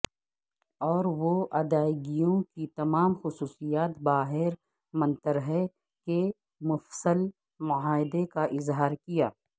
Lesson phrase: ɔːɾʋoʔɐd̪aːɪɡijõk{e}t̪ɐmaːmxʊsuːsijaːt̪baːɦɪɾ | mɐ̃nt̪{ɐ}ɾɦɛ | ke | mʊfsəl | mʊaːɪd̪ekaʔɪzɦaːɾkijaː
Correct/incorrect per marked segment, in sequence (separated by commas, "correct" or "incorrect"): incorrect, incorrect